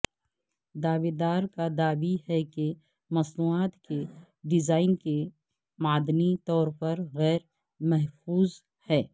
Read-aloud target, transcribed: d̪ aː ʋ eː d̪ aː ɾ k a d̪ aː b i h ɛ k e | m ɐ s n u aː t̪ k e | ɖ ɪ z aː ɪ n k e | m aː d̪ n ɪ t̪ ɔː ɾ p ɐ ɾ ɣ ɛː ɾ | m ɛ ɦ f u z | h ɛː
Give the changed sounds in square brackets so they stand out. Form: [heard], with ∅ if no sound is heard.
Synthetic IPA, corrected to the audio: d̪ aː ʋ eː d̪ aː ɾ k a d̪ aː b i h ɛ k e | m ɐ s n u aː t̪ k e | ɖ ɪ z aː ɪ n k e | m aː d̪ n [i] t̪ ɔː ɾ p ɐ ɾ ɣ ɛː ɾ | m ɛ ɦ f [uː] z | h ɛː